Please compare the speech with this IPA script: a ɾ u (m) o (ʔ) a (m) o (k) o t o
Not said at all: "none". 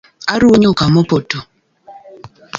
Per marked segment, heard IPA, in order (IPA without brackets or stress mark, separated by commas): ɲ, k, m, p